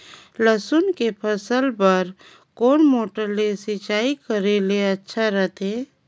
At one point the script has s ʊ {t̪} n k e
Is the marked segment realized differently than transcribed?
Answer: yes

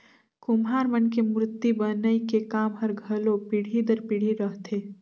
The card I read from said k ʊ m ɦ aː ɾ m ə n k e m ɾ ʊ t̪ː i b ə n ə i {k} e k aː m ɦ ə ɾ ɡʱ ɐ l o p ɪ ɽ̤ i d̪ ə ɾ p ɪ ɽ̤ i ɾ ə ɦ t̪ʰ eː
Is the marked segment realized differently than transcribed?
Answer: no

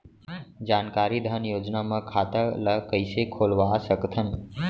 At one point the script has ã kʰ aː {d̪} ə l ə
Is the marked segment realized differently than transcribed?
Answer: yes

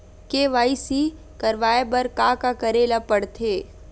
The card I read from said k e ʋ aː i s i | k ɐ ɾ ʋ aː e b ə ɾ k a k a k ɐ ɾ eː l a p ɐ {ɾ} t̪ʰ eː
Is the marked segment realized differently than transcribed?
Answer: yes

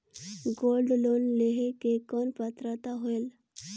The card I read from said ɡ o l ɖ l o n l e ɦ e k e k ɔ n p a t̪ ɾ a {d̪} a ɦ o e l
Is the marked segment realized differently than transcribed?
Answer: yes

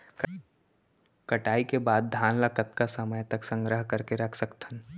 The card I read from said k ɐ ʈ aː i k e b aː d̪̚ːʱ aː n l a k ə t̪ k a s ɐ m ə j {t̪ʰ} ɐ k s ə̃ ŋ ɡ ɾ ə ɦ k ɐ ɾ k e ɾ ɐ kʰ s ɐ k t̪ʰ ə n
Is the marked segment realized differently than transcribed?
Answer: yes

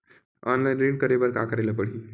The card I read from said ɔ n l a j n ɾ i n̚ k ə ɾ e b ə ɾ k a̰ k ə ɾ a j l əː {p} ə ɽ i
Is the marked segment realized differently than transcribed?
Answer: no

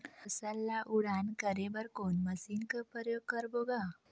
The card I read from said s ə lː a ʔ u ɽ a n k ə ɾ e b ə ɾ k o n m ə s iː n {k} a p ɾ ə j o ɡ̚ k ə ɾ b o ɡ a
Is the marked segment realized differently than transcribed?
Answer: no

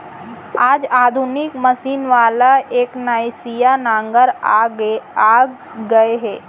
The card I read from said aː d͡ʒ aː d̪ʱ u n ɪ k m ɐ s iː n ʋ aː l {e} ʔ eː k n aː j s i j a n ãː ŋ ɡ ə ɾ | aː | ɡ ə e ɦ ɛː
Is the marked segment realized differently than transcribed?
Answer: yes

